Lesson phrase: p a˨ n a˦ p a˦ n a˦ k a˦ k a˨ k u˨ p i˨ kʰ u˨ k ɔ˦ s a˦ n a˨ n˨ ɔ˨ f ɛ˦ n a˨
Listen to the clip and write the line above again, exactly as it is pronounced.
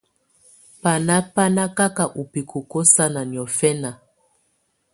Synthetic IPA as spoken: p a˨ n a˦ p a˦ n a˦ k a˦ k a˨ ʔ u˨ p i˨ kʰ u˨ k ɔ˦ s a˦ n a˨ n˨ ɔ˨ f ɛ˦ n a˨